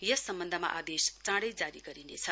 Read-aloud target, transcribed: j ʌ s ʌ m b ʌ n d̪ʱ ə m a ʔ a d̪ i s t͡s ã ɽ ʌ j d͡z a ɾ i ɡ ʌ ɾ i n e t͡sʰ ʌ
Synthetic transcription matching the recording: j ʌ s ʌ m b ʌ n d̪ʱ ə m a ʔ a d̪ e s t͡s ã ɽ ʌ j d͡z a ɾ i ɡ ʌ ɾ i n e t͡sʰ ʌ